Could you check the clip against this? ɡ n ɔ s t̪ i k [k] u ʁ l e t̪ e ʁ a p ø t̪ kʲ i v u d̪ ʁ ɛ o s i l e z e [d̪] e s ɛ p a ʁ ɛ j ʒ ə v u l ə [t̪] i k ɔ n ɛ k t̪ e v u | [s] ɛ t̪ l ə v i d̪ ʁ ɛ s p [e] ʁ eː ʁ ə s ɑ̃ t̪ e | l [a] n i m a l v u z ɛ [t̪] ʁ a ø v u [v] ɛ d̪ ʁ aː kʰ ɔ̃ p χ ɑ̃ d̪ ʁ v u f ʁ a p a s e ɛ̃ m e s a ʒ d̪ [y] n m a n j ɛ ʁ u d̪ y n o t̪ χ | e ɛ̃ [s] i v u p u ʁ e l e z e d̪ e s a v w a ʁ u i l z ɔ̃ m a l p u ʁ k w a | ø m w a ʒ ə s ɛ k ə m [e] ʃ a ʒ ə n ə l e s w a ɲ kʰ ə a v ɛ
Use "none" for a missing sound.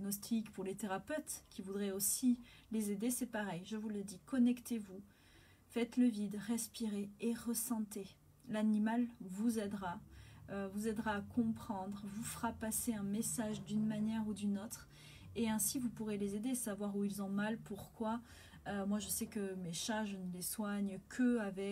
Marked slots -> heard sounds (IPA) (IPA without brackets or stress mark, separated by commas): p, d̪, d̪, f, i, a, d̪, z, y, s, e